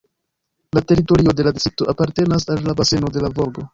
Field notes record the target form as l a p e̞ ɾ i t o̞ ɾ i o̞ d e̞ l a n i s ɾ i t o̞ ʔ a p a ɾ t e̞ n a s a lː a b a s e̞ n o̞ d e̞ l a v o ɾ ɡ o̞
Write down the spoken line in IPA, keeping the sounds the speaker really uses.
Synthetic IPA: l a t e̞ ɾ i t o̞ ɾ i o̞ d e̞ l a d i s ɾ i t o̞ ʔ a p a ɾ t e̞ n a s a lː a b a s e̞ n o̞ d e̞ l a v o ɾ ɡ o̞